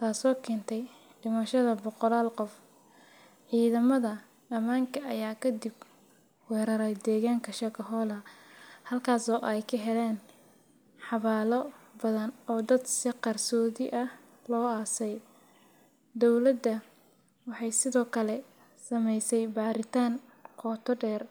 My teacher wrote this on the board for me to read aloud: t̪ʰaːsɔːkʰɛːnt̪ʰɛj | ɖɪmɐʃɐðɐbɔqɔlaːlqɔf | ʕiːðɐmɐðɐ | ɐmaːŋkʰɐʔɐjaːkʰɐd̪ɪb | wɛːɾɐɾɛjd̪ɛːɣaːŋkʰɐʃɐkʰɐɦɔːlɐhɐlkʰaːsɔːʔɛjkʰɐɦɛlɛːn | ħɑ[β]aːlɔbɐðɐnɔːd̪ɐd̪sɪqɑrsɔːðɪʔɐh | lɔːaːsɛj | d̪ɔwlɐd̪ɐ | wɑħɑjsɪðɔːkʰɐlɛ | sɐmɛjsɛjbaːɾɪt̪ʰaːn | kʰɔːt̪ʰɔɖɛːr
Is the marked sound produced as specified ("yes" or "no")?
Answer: yes